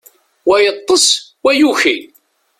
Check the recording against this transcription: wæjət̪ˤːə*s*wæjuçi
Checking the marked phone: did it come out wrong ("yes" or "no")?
no